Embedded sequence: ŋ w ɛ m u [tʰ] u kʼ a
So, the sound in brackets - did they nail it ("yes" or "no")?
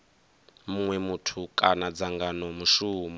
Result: yes